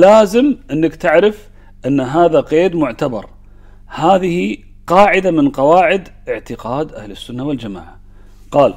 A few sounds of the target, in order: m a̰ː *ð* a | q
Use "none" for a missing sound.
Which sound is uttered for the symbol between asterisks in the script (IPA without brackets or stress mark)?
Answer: ʕ